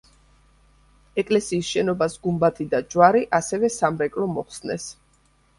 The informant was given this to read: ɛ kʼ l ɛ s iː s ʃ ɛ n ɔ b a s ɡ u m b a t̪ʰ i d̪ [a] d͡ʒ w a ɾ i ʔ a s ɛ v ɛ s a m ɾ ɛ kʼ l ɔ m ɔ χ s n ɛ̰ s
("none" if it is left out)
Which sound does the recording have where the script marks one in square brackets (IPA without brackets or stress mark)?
a